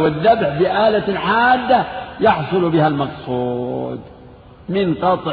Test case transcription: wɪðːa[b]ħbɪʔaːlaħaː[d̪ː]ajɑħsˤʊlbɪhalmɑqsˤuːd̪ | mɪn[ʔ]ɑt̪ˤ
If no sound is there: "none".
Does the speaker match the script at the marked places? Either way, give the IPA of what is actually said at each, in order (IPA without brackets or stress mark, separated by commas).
b, d̪ː, q